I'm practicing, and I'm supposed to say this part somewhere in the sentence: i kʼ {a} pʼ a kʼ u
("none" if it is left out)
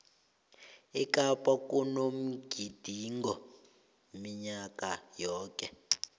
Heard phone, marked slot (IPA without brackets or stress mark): a